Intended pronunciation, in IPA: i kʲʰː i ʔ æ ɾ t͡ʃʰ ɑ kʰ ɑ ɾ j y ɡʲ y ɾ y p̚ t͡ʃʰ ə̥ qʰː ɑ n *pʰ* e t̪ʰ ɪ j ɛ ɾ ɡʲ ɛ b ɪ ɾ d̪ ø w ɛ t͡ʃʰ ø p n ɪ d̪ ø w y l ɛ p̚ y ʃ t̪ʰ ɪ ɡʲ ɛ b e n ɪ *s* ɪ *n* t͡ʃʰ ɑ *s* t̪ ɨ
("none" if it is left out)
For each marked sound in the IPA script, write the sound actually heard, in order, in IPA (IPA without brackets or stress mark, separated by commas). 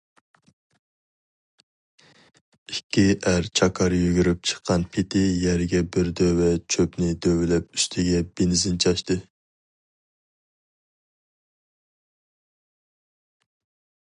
pʰ, z, n, ʃ